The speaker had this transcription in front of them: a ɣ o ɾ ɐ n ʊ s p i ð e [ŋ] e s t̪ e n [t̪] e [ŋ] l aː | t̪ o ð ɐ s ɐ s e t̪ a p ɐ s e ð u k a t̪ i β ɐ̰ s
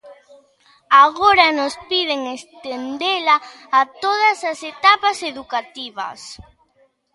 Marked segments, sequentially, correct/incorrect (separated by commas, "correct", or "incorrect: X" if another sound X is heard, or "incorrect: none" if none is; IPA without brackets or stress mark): correct, incorrect: d̪, incorrect: none